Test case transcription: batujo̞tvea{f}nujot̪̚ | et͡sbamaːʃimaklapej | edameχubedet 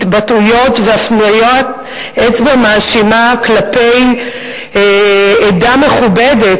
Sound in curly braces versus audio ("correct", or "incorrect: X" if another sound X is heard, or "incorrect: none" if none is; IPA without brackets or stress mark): correct